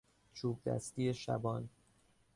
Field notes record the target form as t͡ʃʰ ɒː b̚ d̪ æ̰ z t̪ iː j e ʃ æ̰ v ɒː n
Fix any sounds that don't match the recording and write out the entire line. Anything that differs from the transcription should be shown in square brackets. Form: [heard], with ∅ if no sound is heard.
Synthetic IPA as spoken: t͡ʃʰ [uː] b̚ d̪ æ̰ [s] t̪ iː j e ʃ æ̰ [b] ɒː n

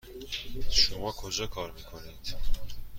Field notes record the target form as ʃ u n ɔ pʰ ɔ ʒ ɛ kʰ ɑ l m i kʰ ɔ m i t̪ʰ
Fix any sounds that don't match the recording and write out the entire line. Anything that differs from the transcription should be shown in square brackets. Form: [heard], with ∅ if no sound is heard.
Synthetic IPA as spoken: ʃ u [m] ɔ [kʰ] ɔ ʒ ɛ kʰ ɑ [ɾ] m i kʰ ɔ [n] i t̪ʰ

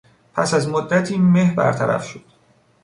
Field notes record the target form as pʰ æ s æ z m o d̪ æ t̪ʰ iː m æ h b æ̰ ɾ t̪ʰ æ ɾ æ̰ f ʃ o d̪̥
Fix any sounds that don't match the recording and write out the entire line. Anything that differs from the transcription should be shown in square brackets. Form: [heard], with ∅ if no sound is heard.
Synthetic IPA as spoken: pʰ æ s æ z m o [d̪ː] æ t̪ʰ iː m [e] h b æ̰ ɾ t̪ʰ æ ɾ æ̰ f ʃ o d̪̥

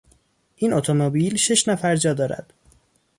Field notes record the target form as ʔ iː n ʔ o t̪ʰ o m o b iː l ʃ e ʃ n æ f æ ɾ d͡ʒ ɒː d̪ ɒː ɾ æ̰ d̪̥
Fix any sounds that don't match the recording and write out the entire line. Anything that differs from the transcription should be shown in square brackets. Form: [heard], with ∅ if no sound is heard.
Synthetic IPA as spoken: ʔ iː n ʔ o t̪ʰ o m o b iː l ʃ e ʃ n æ f æ ɾ d͡ʒ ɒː d̪ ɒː ɾ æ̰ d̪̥

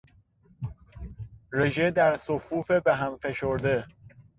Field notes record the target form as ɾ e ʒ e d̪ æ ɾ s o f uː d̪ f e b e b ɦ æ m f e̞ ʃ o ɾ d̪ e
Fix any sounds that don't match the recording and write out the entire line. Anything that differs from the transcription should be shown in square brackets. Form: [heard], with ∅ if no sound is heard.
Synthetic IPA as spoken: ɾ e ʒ e d̪ æ ɾ s o f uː [∅] f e b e [∅] ɦ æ m f e̞ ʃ o ɾ d̪ e

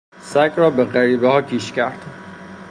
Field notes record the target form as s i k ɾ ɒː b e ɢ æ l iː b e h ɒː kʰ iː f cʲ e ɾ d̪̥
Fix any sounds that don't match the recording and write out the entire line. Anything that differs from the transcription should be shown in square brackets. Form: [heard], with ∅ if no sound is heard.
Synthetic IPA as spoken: s [æ] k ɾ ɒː b e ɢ æ [ɾ] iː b e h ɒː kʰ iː [ʃ] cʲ [æ] ɾ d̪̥

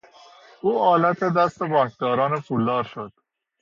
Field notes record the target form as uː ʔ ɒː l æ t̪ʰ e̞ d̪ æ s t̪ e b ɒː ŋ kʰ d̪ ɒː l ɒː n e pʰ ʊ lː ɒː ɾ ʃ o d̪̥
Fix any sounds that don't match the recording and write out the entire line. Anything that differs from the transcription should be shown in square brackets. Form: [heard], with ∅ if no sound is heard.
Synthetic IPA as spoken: uː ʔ ɒː l æ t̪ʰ e̞ d̪ æ s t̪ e b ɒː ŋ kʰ d̪ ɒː [ɾ] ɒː n e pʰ [u] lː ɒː ɾ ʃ o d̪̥

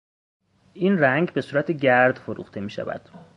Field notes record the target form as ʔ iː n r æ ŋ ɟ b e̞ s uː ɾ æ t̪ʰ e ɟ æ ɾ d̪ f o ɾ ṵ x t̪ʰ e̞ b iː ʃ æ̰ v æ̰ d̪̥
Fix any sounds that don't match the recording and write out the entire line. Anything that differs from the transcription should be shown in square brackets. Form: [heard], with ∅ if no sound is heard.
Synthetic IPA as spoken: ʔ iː n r æ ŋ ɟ b e̞ s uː ɾ æ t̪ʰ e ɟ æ ɾ d̪ f o ɾ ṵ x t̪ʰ e̞ [m] iː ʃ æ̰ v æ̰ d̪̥

